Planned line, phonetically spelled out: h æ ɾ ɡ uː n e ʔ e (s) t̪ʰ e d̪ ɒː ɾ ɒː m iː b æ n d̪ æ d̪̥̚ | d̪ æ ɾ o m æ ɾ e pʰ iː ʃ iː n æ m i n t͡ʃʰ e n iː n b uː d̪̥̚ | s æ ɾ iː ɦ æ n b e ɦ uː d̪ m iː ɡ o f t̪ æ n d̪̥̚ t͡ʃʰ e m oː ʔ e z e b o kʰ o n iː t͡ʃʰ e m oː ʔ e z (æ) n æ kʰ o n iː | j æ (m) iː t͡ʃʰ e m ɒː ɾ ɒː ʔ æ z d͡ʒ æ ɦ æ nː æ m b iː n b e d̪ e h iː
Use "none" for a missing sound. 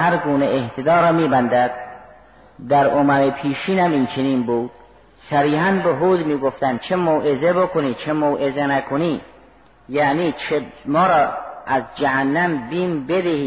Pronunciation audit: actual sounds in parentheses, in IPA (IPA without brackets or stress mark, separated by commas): h, e, n